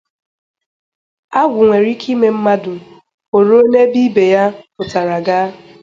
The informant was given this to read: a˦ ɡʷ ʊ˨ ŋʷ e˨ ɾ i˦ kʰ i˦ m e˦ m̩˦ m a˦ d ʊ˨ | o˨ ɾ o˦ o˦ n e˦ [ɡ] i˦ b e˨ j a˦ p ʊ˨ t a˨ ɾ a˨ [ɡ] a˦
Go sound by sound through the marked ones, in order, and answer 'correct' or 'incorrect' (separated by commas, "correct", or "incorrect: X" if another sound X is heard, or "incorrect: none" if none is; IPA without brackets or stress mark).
incorrect: b, correct